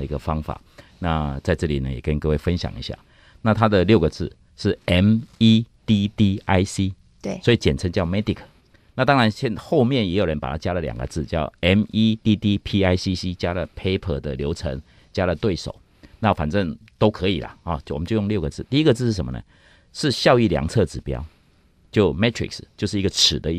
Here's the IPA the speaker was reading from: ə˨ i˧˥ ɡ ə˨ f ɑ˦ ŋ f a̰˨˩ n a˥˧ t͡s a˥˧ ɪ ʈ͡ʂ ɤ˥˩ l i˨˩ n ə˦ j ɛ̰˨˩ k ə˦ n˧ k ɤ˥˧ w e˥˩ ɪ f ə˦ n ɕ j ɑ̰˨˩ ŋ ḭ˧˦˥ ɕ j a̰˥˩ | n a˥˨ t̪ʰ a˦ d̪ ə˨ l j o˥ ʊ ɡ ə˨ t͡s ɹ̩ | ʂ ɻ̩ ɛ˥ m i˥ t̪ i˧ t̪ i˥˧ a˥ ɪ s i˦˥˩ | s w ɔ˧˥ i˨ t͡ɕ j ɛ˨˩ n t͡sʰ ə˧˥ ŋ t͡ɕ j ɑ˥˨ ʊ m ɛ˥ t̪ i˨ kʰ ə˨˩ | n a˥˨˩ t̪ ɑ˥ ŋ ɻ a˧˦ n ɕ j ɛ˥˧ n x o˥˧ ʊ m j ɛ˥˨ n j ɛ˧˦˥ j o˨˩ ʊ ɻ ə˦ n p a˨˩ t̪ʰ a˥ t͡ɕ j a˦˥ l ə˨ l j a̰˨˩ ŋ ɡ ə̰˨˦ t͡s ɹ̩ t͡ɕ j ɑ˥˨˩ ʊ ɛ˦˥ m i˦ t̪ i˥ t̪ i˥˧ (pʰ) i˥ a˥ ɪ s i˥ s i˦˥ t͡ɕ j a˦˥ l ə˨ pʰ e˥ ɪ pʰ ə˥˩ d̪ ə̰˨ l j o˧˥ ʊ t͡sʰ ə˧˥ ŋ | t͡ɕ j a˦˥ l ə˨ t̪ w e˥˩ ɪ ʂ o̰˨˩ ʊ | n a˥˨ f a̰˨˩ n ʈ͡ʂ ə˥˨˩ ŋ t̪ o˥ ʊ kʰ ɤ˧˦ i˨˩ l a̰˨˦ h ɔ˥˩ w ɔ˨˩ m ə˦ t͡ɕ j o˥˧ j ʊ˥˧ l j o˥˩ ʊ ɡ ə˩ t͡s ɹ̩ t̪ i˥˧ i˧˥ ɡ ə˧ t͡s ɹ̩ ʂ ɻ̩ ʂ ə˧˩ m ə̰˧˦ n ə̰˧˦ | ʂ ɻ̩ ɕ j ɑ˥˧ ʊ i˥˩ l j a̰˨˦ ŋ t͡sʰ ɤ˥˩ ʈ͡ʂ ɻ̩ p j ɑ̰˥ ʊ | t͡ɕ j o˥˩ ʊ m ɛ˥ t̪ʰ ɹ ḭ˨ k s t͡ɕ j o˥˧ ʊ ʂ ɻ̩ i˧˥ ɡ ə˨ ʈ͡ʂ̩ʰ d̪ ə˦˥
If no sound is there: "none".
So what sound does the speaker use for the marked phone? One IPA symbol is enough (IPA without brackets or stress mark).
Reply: pʰ